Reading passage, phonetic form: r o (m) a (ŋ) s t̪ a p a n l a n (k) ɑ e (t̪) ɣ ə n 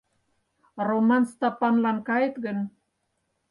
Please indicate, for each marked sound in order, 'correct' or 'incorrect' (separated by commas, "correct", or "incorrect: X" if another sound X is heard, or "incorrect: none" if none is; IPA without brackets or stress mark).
correct, incorrect: n, correct, correct